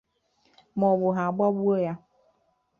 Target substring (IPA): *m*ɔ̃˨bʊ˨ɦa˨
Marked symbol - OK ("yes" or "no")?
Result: yes